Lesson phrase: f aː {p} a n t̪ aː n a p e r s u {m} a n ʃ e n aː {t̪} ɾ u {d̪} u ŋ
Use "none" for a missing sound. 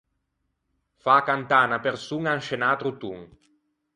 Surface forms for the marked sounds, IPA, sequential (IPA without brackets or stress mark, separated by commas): k, ŋ, t̪, t̪